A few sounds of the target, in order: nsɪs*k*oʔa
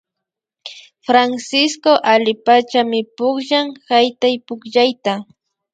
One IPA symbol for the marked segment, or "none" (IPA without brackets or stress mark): k